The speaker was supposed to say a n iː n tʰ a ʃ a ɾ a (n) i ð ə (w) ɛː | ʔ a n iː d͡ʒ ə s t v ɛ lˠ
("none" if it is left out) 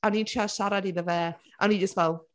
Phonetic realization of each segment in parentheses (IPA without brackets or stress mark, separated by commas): d, v